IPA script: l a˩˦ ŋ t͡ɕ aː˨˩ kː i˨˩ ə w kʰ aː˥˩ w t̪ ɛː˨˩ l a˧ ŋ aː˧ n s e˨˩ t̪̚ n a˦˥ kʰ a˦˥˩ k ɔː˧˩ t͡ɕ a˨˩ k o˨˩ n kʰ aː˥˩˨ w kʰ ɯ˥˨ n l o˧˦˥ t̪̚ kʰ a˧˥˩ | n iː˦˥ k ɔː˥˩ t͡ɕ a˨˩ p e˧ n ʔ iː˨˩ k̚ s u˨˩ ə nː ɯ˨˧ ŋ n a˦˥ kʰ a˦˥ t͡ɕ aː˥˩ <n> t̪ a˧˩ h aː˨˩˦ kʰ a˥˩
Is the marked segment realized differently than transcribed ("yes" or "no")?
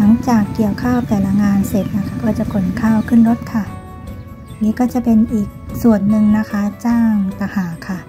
yes